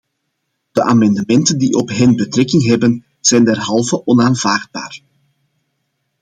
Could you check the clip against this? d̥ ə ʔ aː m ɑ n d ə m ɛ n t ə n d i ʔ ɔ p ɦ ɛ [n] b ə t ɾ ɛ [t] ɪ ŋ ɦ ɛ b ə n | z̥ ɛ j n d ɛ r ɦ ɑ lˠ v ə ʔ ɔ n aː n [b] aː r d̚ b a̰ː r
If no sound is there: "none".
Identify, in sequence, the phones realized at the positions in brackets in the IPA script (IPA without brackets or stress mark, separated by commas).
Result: n, k, v